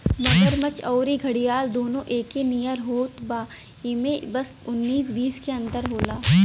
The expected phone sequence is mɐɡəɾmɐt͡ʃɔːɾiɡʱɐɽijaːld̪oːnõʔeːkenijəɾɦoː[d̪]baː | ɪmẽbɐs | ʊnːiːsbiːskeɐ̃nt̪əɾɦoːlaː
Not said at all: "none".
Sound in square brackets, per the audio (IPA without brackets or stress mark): t̪